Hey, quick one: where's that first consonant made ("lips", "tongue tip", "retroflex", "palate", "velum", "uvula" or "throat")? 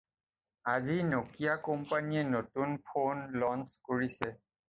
tongue tip